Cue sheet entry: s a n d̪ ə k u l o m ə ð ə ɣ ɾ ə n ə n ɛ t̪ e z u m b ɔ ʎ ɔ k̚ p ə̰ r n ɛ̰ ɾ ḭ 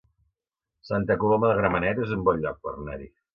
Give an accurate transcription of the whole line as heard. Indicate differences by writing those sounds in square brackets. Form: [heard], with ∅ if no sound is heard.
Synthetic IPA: s a n [t̪] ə k u l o m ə ð ə ɣ ɾ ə [m] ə n ɛ t̪ e z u m b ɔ ʎ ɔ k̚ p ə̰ r n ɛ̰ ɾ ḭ